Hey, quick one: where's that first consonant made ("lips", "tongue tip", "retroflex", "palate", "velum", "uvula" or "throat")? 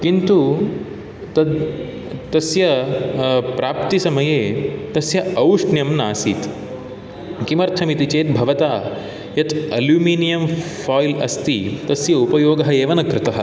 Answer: velum